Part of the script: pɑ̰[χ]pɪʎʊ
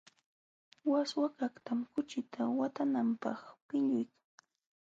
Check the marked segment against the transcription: correct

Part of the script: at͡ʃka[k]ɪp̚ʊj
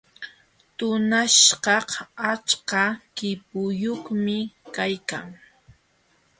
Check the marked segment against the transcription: correct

